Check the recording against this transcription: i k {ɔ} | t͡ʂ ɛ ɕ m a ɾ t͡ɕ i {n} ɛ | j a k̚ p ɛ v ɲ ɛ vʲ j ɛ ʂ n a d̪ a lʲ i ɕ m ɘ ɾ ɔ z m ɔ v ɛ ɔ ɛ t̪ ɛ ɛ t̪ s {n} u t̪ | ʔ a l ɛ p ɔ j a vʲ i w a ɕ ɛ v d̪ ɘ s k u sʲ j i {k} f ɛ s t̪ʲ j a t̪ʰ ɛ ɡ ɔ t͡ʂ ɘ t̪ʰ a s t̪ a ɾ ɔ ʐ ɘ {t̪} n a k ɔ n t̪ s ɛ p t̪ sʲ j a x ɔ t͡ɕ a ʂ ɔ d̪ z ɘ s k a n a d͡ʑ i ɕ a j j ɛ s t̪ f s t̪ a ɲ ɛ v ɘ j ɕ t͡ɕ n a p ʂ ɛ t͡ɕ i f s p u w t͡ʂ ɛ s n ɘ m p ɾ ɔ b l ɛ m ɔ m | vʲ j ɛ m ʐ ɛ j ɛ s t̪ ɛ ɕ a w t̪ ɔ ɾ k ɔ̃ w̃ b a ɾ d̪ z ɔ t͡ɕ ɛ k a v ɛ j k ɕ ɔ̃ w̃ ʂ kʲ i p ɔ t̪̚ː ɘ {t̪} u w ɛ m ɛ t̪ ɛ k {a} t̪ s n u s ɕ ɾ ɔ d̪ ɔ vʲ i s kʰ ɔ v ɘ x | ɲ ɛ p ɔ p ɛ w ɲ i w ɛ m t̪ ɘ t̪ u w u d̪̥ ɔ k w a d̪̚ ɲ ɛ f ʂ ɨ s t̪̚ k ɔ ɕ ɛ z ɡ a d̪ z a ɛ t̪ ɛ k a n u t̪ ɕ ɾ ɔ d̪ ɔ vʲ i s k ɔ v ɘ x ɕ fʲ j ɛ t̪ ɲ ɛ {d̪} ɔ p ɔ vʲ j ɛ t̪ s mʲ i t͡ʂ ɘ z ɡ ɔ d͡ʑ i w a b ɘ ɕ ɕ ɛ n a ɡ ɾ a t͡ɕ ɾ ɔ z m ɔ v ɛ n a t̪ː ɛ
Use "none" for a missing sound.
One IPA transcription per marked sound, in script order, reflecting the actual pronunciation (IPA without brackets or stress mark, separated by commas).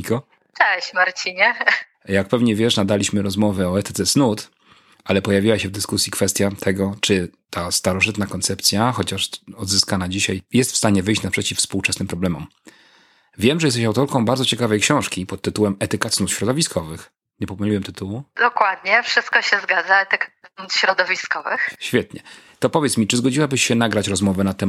ɔ, ɲ, n, k, t̪, t̪, a, t̪